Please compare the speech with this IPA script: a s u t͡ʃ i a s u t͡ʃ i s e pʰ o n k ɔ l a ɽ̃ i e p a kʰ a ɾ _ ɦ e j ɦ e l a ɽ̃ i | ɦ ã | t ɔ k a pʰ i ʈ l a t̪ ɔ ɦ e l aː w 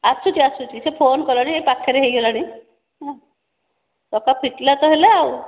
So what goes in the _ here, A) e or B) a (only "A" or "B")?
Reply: A